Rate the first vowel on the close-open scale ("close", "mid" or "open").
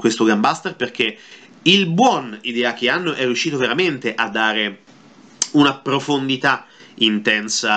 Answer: mid